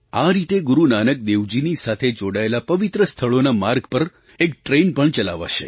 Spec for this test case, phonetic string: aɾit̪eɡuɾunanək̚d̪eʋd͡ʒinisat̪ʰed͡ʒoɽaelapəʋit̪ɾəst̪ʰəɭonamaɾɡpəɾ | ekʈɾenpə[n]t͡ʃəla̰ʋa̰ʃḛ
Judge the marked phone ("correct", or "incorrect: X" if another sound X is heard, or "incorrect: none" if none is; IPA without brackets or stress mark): incorrect: ɳ